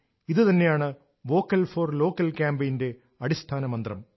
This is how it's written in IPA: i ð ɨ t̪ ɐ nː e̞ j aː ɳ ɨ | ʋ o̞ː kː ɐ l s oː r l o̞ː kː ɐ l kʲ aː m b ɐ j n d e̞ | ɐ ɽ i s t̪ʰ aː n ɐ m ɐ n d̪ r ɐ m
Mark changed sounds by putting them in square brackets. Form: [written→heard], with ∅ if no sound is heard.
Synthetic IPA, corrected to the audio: i ð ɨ t̪ ɐ nː e̞ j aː ɳ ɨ | ʋ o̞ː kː ɐ l [s→f] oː r l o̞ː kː ɐ l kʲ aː m b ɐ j n d e̞ | ɐ ɽ i s t̪ʰ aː n ɐ m ɐ n d̪ r ɐ m